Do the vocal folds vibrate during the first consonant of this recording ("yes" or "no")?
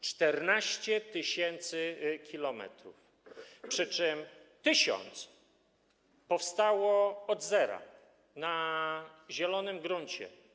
no